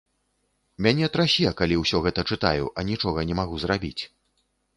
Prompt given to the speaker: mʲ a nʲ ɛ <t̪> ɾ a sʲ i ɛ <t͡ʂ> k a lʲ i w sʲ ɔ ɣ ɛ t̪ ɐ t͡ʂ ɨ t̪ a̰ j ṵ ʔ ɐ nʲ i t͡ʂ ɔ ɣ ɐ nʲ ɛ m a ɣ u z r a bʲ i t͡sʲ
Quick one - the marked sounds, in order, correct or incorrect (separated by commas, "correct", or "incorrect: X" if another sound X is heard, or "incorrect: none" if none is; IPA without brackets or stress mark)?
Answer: correct, incorrect: none